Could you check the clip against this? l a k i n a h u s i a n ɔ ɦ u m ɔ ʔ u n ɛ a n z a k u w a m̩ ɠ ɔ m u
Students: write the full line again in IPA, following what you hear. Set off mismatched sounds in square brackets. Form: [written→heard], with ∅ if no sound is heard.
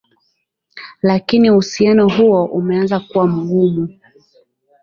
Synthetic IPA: l a k i n [a→i] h u s i a n ɔ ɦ u [m→∅] ɔ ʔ u [n→m] ɛ a n z a k u w a m̩ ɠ [ɔ→u] m u